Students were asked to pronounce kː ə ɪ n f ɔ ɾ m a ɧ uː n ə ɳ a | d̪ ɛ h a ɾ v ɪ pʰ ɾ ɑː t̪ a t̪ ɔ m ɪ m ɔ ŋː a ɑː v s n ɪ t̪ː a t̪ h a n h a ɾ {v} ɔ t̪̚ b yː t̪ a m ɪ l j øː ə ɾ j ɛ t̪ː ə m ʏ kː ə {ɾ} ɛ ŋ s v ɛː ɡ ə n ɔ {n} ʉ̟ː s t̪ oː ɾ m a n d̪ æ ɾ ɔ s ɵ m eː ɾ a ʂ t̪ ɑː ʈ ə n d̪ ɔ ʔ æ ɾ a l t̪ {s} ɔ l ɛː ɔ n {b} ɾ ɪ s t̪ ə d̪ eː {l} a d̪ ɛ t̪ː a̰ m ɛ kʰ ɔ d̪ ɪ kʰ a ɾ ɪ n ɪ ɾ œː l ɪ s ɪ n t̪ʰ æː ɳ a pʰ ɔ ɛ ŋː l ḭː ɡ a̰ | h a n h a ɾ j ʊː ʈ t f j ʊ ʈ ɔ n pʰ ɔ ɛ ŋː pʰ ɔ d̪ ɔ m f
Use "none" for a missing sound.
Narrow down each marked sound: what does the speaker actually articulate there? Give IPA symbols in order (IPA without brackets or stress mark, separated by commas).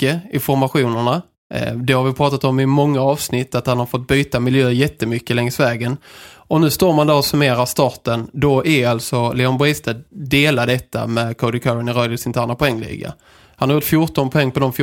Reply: f, l, n, s, b, l